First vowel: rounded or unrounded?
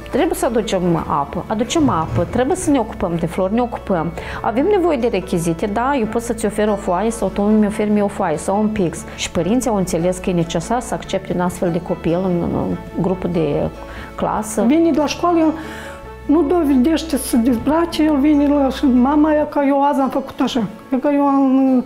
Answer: unrounded